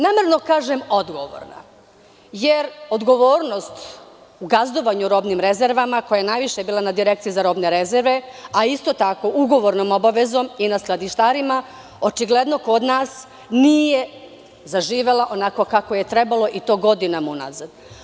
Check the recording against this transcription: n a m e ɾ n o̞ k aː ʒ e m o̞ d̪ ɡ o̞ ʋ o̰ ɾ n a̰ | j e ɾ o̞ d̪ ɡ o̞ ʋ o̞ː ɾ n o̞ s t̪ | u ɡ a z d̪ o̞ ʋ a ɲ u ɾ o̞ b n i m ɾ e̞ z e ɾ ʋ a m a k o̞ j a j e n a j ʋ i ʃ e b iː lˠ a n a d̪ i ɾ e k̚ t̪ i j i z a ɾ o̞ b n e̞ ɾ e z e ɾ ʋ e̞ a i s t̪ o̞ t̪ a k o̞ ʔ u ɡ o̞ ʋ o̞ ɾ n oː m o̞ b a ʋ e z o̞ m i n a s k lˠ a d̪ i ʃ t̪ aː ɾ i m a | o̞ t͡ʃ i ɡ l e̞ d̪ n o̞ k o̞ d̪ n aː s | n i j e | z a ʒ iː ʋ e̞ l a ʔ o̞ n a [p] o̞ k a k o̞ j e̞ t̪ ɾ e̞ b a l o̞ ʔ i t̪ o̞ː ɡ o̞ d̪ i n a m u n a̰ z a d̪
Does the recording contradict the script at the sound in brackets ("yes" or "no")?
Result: yes